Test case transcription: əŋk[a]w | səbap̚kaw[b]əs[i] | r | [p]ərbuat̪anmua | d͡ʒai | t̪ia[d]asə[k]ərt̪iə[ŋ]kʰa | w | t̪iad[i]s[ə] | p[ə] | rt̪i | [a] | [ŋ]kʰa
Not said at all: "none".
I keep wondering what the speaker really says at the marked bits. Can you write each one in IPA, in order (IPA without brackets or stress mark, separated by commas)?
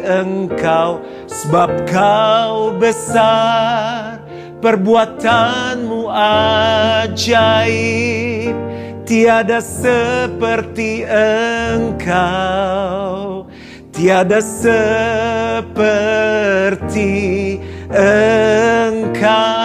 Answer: a, b, a, p, d, p, ŋ, a, ə, ə, ə, ŋ